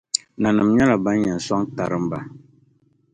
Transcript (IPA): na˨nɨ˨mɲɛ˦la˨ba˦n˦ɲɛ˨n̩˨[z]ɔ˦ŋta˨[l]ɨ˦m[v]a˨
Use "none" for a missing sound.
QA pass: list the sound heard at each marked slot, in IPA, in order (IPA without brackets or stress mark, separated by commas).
s, ɾ, b